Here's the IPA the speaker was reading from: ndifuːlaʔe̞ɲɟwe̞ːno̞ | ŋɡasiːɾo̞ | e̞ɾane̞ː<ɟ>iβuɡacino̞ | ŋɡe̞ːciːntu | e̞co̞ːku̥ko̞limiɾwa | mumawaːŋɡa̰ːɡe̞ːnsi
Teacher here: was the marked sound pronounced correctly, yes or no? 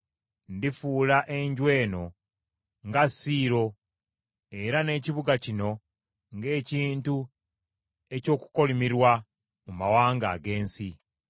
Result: no